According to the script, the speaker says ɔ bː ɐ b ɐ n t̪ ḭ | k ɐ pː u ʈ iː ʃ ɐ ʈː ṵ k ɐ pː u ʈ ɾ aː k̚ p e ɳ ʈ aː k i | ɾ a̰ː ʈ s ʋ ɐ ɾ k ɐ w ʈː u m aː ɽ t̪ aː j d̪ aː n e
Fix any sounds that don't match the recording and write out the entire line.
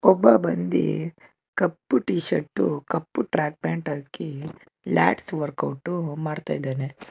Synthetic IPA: ɔ bː ɐ b ɐ n d̪ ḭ | k ɐ pː u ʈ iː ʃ ɐ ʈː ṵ k ɐ pː u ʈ ɾ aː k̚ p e ɳ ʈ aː k i | l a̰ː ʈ s ʋ ɐ ɾ k ɐ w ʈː u m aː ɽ t̪ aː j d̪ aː n e

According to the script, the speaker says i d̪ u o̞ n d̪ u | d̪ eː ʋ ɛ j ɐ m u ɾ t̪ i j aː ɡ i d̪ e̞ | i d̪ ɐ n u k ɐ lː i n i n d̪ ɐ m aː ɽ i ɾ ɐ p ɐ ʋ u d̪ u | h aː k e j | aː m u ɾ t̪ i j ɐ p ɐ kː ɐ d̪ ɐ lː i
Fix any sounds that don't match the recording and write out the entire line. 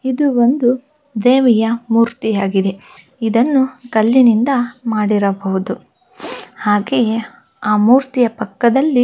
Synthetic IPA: i d̪ u o̞ n d̪ u | d̪ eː ʋ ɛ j ɐ m uː ɾ t̪ i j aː ɡ i d̪ e̞ | i d̪ ɐ nː u k ɐ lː i n i n d̪ ɐ m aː ɽ i ɾ ɐ b ɐ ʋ u d̪ u | h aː ɡ e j | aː m uː ɾ t̪ i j ɐ p ɐ kː ɐ d̪ ɐ lː i

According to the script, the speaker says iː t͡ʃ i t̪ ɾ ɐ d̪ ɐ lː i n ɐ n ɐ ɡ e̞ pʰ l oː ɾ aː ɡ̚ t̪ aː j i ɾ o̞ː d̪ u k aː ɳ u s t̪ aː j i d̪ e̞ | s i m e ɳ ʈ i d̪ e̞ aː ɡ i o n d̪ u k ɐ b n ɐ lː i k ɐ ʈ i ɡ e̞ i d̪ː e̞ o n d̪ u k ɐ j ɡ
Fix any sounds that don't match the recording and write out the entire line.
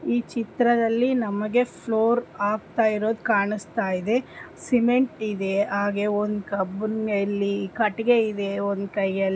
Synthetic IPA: iː t͡ʃ i t̪ ɾ ɐ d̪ ɐ lː i n ɐ m ɐ ɡ e̞ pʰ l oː ɾ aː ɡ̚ t̪ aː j i ɾ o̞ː d̪ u k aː ɳ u s t̪ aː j i d̪ e̞ | s i m e ɳ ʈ i d̪ e̞ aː ɡ e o n d̪ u k ɐ b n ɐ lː i k ɐ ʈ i ɡ e̞ i d̪ e̞ o n d̪ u k ɐ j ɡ

